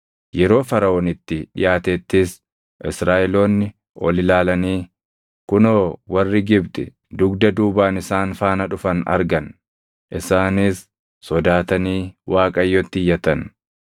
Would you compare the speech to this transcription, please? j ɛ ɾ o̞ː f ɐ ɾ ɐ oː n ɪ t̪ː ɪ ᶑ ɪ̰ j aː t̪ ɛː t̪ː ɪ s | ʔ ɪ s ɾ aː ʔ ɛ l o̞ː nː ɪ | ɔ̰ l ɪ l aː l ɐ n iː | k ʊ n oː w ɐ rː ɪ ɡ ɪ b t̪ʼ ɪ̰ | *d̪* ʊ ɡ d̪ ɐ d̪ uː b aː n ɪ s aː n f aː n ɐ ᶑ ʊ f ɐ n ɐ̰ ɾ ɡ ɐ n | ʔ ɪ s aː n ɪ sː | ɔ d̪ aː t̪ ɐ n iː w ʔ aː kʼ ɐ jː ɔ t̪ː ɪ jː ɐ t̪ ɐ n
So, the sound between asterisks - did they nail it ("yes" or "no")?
yes